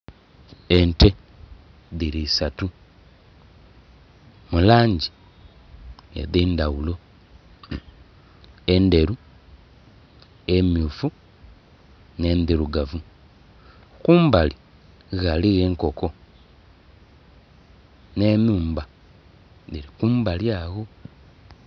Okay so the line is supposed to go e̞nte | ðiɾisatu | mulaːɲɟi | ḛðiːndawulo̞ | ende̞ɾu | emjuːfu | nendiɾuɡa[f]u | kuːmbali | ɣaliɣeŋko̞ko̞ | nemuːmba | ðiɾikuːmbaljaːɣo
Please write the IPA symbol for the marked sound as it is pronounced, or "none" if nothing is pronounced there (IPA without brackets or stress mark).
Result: v